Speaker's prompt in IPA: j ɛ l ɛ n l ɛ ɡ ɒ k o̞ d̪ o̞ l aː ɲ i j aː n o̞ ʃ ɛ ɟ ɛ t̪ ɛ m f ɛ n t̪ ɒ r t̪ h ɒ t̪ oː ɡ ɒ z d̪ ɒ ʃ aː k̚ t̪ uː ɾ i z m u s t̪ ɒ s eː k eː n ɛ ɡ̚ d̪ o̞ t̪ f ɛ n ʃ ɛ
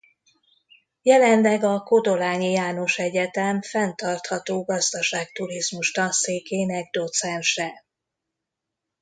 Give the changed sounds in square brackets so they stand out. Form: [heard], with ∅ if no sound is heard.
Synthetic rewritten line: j ɛ l ɛ n l ɛ ɡ ɒ k o̞ d̪ o̞ l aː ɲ i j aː n o̞ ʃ ɛ ɟ ɛ t̪ ɛ m f ɛ n t̪ ɒ r t̪ h ɒ t̪ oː ɡ ɒ z d̪ ɒ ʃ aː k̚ t̪ [u] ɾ i z m u [ʃ] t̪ ɒ s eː k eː n ɛ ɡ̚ d̪ o̞ t̪ [s] ɛ n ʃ ɛ